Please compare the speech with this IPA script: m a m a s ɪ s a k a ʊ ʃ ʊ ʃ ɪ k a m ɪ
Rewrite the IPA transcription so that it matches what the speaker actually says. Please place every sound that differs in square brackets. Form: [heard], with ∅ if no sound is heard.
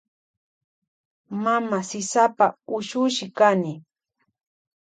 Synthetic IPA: m a m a s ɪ s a [p] a ʊ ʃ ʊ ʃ ɪ k a [n] ɪ